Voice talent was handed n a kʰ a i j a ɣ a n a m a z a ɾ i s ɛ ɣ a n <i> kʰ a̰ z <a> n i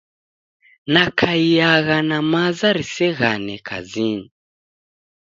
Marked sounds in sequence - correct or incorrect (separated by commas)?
incorrect, incorrect